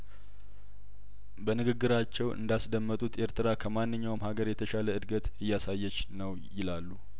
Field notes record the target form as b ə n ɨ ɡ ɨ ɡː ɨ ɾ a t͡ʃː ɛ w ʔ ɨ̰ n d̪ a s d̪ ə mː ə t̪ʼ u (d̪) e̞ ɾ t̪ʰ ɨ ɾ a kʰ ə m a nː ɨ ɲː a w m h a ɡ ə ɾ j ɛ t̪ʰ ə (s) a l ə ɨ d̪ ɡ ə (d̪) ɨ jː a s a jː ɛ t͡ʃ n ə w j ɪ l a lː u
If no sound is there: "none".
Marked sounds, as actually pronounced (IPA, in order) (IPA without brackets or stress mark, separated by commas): t̪, ʃ, t̪